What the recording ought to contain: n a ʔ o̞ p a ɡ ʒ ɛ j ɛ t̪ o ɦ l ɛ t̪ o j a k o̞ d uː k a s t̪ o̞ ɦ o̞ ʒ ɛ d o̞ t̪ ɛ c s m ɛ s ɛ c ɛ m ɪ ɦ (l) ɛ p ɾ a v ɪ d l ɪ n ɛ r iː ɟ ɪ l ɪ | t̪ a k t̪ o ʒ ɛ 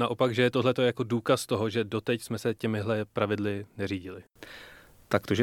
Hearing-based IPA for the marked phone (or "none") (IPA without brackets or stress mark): l